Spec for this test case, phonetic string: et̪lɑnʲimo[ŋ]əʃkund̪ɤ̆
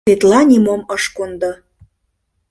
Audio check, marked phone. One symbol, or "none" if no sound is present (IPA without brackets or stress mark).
m